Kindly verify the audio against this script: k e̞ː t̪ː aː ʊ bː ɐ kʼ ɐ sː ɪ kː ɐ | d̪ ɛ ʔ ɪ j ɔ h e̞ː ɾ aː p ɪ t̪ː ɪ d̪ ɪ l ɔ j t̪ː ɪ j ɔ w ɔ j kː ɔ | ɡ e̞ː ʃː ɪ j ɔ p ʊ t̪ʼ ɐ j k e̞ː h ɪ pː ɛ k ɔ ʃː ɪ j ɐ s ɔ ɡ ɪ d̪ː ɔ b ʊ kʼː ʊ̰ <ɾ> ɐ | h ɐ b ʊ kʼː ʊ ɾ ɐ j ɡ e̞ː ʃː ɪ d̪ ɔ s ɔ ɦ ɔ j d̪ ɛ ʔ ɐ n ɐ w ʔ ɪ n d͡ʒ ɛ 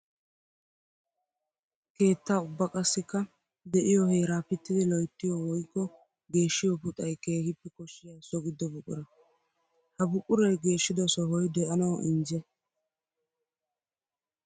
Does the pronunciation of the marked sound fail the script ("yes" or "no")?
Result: no